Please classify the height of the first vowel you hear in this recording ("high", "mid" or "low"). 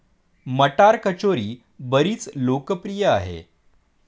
mid